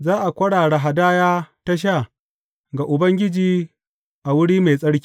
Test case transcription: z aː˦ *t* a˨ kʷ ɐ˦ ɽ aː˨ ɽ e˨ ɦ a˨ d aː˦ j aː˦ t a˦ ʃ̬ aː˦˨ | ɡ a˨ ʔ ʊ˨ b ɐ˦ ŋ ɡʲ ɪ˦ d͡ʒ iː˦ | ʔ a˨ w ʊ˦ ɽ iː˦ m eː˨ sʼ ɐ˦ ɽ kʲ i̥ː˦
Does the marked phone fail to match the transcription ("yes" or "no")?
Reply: yes